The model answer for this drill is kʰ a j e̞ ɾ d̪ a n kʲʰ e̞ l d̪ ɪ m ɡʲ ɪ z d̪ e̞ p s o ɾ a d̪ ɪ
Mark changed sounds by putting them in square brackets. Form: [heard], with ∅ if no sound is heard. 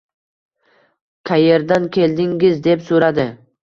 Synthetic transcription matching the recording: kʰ a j e̞ ɾ d̪ a n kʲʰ e̞ l d̪ ɪ [ŋ] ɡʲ ɪ z d̪ e̞ p s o ɾ a d̪ ɪ